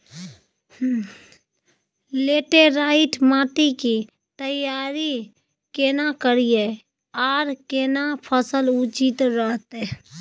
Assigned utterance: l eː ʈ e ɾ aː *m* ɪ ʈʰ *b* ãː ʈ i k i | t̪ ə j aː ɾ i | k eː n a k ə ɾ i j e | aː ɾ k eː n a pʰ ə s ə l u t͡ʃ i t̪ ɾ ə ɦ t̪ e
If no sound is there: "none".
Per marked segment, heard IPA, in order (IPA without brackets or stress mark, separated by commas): none, m